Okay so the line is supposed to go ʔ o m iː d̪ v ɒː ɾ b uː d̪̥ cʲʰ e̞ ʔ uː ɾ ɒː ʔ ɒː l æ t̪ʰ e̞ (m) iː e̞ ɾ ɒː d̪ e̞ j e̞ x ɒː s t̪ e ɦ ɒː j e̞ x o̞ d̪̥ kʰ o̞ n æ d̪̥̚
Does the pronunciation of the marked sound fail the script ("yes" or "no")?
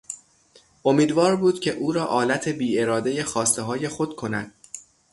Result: yes